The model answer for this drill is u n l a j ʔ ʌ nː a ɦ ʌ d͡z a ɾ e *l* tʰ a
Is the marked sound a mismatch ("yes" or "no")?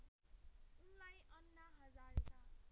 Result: yes